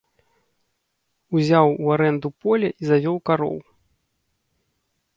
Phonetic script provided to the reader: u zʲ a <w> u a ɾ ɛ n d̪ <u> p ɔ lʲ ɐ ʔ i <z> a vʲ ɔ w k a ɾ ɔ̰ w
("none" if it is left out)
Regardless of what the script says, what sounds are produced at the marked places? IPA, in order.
w, u, z

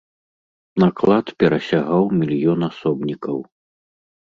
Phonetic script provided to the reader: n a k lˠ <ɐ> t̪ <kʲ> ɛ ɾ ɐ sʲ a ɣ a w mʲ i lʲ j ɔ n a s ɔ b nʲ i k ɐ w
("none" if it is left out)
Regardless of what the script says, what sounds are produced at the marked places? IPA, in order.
a, pʲ

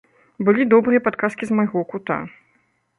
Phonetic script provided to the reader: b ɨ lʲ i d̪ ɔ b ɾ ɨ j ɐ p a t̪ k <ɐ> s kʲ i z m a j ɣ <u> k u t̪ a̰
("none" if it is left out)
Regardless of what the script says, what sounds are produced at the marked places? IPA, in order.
a, ɔ

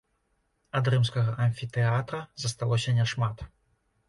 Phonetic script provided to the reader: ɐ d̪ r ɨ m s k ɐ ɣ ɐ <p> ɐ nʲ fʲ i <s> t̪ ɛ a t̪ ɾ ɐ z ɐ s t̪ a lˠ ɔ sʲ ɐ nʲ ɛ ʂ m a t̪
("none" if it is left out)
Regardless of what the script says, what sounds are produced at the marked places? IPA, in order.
ʔ, none

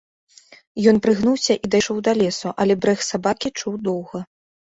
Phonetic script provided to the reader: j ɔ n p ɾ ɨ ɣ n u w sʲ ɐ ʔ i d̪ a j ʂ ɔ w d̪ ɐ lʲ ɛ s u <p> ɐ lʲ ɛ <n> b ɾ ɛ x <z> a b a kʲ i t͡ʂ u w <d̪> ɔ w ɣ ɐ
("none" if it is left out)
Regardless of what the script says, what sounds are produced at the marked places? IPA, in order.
ʔ, none, s, d̪

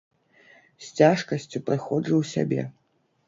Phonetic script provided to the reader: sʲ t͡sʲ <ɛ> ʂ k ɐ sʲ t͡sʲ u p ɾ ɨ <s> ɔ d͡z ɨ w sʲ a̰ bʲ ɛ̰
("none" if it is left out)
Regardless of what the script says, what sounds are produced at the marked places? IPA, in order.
a, x

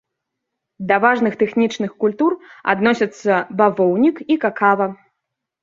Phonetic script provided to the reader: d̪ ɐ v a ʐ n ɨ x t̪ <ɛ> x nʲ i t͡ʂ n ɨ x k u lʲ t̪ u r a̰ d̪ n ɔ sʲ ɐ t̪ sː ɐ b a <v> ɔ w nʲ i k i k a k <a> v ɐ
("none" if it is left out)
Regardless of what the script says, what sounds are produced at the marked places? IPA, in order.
ɛ, v, a

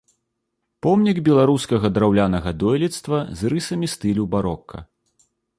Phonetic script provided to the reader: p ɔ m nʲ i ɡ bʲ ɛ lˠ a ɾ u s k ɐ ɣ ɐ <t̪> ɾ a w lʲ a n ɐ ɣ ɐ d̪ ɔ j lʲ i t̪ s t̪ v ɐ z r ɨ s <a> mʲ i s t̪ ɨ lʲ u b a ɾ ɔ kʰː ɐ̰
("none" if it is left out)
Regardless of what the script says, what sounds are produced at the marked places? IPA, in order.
d̪, ɐ

